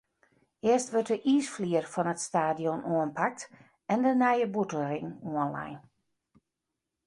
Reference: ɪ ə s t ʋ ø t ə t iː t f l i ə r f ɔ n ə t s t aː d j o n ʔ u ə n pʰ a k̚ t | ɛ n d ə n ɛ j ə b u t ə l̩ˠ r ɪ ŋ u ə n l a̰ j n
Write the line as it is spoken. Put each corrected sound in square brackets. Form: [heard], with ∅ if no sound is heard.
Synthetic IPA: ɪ ə s t ʋ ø t ə [ʔ] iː [s] f l i ə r f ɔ n ə t s t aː d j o n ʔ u ə n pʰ a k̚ t | ɛ n d ə n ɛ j ə b u t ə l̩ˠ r ɪ ŋ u ə n l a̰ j n